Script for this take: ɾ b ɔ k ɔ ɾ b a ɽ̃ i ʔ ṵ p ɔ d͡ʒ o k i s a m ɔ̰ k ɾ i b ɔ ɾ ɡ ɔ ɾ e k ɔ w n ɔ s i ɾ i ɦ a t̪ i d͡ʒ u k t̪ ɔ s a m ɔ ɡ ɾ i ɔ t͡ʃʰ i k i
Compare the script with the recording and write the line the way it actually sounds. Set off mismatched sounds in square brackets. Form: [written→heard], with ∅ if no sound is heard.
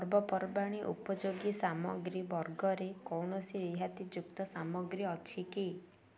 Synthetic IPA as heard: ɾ b ɔ [k→p] ɔ ɾ b a ɽ̃ i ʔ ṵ p ɔ d͡ʒ o [k→ɡ] i s a m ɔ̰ [k→ɡ] ɾ i b ɔ ɾ ɡ ɔ ɾ e k ɔ w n ɔ s i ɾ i ɦ a t̪ i d͡ʒ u k t̪ ɔ s a m ɔ ɡ ɾ i ɔ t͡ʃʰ i k i